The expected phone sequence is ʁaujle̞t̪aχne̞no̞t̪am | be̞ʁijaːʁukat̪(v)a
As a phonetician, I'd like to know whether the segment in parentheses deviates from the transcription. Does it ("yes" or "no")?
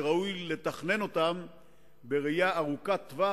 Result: no